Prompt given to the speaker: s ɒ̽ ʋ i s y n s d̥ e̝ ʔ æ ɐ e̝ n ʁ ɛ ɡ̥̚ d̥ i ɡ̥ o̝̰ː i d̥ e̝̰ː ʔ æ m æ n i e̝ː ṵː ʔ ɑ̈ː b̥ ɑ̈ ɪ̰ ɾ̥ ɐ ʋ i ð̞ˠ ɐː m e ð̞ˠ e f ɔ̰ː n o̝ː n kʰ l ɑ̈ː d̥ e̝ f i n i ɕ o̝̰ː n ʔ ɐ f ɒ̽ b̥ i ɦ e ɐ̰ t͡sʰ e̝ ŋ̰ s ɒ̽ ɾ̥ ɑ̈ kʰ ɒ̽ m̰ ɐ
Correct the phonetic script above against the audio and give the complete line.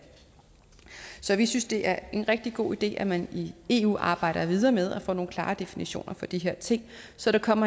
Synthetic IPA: s ɒ̽ ʋ i s y n s d̥ e̝ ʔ æ ɐ e̝ n ʁ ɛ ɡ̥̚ d̥ i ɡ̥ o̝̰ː i d̥ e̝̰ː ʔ æ m æ n i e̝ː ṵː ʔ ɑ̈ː b̥ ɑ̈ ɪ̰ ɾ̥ ɐ ʋ i ð̞ˠ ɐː m e ð̞ˠ æ f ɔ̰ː n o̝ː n kʰ l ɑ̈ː d̥ e̝ f i n i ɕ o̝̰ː n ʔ ɐ f ɒ̽ d̥ i ɦ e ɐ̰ t͡sʰ e̝ ŋ̰ s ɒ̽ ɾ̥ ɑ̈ kʰ ɒ̽ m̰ ɐ